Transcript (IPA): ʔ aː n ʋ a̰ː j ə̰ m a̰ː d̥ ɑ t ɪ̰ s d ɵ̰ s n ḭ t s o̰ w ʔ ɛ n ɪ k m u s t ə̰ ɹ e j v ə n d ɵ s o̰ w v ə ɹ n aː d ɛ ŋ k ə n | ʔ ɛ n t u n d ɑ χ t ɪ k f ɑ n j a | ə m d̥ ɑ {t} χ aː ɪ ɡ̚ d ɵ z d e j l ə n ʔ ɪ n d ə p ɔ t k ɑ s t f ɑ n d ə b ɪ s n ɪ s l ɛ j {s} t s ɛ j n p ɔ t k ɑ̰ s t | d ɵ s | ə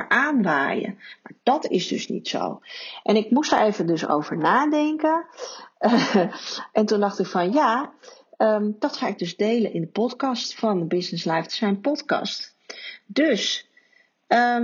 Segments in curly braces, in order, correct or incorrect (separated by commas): correct, incorrect